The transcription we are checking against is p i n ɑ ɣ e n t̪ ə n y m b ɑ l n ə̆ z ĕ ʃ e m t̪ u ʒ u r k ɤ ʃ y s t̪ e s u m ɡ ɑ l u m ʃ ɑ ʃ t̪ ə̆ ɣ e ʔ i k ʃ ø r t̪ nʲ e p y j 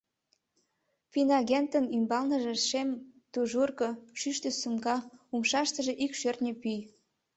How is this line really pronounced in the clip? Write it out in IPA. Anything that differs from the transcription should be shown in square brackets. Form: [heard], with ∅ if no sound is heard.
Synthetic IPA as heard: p i n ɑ ɣ e n t̪ ə n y m b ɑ l n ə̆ [ʒ] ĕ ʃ e m t̪ u ʒ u r k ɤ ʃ y [ʃ] t̪ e s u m ɡ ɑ [∅] u m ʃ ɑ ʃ t̪ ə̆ [ʒ] e ʔ i k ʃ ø r t̪ nʲ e p y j